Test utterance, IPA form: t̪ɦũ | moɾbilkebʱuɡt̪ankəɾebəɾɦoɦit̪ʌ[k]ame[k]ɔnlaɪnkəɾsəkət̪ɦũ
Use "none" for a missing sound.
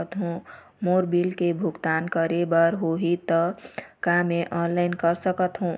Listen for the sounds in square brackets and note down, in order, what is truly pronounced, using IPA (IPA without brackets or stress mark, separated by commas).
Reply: k, ʔ